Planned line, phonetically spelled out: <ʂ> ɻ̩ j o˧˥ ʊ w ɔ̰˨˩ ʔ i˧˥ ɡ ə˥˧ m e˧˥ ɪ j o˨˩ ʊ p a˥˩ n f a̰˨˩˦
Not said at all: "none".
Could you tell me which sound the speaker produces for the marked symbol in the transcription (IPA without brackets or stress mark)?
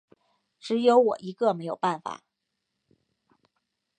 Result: ʈ͡ʂ